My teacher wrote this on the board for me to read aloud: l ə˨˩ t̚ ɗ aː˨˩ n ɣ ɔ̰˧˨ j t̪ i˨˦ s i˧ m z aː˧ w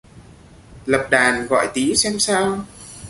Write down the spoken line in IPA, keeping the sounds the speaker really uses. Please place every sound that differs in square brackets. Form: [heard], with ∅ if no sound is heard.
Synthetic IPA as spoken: l ə˨˩ [p̚] ɗ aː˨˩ n ɣ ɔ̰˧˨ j t̪ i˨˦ s [ɛ˧] m [s] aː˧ w